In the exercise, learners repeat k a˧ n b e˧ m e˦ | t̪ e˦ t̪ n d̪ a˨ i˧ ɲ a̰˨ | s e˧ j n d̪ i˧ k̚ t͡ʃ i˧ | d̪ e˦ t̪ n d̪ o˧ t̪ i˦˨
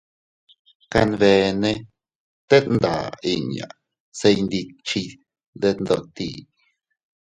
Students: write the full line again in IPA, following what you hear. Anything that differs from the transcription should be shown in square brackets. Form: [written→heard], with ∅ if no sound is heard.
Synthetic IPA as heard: k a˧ n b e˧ [m→n] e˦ | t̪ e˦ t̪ n d̪ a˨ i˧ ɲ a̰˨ | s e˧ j n d̪ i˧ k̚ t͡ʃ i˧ | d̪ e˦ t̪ n d̪ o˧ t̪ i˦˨

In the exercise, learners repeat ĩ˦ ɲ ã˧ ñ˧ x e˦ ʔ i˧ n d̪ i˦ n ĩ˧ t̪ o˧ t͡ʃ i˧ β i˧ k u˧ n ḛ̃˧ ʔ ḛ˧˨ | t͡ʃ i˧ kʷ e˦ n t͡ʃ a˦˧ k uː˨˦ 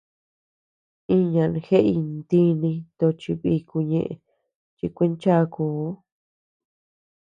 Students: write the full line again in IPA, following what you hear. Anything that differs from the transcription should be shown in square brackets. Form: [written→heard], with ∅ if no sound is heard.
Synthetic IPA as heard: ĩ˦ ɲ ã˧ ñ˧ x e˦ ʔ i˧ n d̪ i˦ n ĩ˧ t̪ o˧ t͡ʃ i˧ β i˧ k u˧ [n→ɲ] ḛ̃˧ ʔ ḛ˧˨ | t͡ʃ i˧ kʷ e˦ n t͡ʃ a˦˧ k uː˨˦

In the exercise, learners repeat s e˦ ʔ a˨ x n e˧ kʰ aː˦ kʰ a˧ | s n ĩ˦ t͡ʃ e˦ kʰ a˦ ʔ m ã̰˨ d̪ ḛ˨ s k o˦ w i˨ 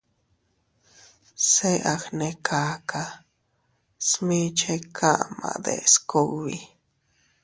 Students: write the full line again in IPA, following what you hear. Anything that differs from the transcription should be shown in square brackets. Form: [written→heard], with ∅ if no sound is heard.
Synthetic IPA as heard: s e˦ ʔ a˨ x n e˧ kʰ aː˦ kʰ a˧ | s [n→m] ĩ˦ t͡ʃ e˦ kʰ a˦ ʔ m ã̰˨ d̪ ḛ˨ s k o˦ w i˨

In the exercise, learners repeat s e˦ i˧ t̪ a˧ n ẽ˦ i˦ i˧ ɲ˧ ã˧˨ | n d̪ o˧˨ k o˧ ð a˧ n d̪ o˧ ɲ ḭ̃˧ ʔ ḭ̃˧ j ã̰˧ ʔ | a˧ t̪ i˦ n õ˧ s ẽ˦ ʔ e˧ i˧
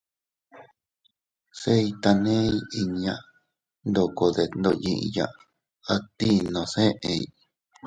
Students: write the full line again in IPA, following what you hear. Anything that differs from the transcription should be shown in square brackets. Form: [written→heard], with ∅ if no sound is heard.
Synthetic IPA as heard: s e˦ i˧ t̪ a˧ n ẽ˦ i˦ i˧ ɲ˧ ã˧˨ | n d̪ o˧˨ k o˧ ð [a˧→e˧] n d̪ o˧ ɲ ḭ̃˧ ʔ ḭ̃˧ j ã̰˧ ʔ | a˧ t̪ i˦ n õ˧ s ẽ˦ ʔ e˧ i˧

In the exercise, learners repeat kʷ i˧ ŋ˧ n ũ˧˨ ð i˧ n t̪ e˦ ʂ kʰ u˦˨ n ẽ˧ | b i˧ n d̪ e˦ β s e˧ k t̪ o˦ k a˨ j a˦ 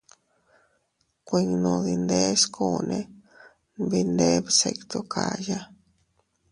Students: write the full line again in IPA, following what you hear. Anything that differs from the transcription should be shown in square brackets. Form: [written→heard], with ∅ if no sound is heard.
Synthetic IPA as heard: kʷ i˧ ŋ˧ n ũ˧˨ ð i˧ n [t̪→d̪] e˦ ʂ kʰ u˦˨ n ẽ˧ | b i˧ n d̪ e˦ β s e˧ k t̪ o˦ k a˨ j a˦

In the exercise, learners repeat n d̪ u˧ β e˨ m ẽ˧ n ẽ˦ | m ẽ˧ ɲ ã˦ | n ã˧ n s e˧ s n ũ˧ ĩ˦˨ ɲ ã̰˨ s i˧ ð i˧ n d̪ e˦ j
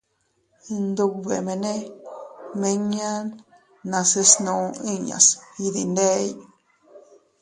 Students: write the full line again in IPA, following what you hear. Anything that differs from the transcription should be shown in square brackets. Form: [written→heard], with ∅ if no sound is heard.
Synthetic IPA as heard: n d̪ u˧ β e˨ m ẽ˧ n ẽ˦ | m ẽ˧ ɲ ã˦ | n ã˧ [n→∅] s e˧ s n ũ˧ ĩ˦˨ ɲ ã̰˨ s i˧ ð i˧ n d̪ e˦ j

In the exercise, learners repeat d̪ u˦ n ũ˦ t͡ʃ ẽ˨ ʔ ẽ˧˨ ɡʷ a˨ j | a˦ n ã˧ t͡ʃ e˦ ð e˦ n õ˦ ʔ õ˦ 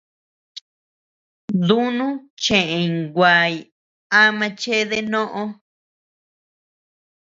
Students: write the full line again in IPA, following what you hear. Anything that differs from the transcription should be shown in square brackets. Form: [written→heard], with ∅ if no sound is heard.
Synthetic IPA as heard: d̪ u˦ n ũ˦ t͡ʃ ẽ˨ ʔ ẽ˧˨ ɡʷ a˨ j | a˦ [n→m] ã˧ t͡ʃ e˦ ð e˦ n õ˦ ʔ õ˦

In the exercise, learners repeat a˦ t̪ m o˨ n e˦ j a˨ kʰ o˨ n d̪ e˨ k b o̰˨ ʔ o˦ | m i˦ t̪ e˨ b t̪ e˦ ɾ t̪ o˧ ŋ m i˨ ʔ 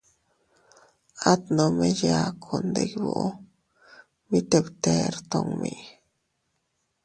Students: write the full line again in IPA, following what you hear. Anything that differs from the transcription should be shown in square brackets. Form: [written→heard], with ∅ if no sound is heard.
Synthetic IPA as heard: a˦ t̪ [m→n] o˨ [n→m] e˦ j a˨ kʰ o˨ n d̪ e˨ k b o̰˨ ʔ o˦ | m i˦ t̪ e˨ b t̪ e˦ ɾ t̪ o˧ ŋ m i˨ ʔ

